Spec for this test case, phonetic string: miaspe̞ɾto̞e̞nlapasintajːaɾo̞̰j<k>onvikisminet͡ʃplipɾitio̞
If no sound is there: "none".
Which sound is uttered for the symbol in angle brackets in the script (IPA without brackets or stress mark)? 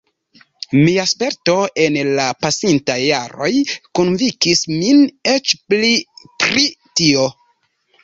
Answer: k